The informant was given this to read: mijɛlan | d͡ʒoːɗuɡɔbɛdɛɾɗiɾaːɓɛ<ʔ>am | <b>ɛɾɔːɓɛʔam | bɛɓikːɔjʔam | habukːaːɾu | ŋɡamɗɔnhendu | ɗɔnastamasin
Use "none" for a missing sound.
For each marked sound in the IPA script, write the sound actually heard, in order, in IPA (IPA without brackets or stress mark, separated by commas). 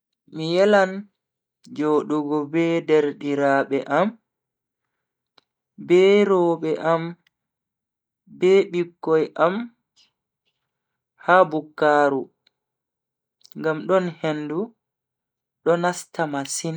ʔ, b